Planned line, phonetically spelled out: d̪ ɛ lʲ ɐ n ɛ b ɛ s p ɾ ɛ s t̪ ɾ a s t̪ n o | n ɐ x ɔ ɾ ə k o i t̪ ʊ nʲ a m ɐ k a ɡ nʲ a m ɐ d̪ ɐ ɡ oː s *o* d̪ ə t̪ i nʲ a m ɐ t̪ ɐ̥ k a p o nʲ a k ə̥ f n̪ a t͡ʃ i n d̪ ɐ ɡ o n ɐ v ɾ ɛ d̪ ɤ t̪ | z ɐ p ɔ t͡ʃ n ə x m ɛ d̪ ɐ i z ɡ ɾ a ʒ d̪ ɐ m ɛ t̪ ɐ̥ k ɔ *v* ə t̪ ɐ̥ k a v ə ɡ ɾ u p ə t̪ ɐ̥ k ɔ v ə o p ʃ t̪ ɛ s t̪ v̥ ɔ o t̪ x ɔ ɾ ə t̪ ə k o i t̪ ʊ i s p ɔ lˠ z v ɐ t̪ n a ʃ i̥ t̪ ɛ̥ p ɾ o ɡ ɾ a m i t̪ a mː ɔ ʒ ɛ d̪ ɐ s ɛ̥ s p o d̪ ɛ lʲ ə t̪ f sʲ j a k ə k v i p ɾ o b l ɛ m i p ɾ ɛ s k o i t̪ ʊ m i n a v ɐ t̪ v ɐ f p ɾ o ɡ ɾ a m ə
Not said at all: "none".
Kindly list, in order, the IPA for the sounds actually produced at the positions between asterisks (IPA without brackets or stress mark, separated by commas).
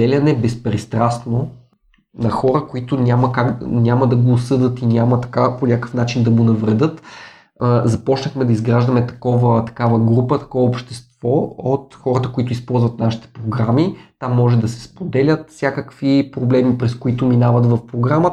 ɤ, v